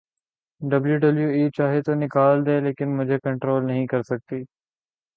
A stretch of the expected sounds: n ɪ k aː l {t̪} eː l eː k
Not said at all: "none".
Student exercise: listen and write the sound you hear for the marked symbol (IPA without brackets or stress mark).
d̪